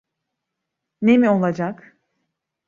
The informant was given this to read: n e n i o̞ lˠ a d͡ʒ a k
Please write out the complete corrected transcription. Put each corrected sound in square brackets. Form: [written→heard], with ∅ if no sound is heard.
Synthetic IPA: n e [n→m] i o̞ lˠ a d͡ʒ a k

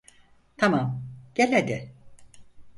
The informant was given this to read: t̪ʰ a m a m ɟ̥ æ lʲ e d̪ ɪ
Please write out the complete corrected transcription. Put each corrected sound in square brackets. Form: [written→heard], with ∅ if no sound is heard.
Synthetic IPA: t̪ʰ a m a m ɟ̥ [æ→e] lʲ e d̪ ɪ

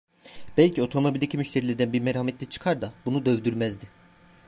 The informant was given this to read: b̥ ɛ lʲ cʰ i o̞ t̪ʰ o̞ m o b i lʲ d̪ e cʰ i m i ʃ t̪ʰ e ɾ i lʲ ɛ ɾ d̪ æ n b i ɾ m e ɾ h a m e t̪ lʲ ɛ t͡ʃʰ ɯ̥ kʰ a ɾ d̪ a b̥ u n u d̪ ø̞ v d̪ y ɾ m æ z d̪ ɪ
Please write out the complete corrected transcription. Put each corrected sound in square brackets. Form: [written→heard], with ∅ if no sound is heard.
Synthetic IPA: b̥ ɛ lʲ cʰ i o̞ t̪ʰ o̞ m o b i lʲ d̪ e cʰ i m [i→y] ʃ t̪ʰ e ɾ i lʲ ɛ ɾ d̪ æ n b i ɾ m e ɾ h a m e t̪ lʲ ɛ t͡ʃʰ ɯ̥ kʰ a ɾ d̪ a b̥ u n u d̪ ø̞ v d̪ y ɾ m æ z d̪ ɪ

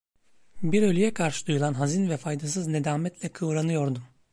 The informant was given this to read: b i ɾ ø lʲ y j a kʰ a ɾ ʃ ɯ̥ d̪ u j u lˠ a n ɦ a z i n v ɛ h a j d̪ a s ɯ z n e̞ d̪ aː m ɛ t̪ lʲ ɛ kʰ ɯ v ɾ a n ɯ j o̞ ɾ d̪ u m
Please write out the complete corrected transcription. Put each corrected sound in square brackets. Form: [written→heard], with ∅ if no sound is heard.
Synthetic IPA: b i ɾ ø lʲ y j [a→ɛ] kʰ a ɾ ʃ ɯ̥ d̪ u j u lˠ a n ɦ a z i n v ɛ [h→f] a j d̪ a s ɯ z n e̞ d̪ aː m ɛ t̪ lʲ ɛ kʰ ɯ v ɾ a n ɯ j o̞ ɾ d̪ u m

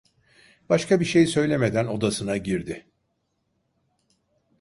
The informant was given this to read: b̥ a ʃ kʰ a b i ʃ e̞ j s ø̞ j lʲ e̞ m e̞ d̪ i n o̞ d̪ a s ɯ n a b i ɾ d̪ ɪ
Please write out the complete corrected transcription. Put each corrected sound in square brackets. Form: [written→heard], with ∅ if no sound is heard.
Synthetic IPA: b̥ a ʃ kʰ a b i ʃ e̞ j s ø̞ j lʲ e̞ m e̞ d̪ [i→æ] n o̞ d̪ a s ɯ n a [b→ɟ] i ɾ d̪ ɪ

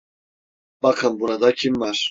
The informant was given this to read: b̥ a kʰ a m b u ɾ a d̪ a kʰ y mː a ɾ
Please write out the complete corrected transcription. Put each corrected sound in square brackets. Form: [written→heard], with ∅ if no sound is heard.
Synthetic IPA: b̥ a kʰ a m b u ɾ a d̪ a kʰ [y→i] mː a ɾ

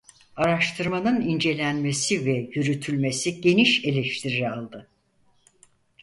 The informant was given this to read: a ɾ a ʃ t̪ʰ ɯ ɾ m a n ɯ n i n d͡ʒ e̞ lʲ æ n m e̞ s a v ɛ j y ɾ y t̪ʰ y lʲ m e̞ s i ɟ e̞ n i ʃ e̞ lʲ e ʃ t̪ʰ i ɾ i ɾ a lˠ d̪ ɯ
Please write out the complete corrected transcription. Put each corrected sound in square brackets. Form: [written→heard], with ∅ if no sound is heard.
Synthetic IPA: a ɾ a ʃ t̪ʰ ɯ ɾ m a n ɯ n i n d͡ʒ e̞ lʲ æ n m e̞ s [a→i] v ɛ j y ɾ y t̪ʰ y lʲ m e̞ s i ɟ e̞ n i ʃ e̞ lʲ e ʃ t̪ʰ i ɾ i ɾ a lˠ d̪ ɯ

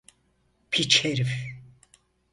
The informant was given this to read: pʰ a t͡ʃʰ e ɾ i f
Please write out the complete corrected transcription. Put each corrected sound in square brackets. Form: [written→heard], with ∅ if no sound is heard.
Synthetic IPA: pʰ [a→i] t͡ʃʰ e ɾ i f

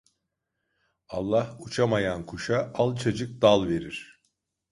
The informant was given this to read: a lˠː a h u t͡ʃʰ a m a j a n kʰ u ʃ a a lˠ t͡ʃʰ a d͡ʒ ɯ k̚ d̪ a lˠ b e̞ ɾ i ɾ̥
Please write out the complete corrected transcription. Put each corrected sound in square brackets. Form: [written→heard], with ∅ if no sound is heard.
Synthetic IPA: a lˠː a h u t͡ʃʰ a m a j a n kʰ u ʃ a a lˠ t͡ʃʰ a d͡ʒ ɯ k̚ d̪ a lˠ [b→v] e̞ ɾ i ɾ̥

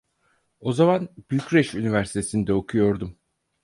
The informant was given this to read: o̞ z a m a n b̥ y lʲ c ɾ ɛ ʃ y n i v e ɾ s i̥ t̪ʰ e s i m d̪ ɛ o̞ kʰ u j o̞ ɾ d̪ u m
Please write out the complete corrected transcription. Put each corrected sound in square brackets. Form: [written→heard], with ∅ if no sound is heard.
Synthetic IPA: o̞ z a m a n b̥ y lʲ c ɾ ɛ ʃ y n i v [e→æ] ɾ s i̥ t̪ʰ e s i [m→n] d̪ ɛ o̞ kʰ u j o̞ ɾ d̪ u m

